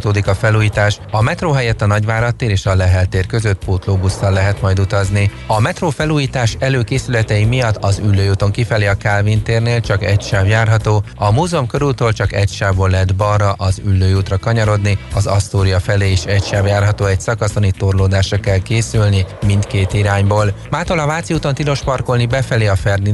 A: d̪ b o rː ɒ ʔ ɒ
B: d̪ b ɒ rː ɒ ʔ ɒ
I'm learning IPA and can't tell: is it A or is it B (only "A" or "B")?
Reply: B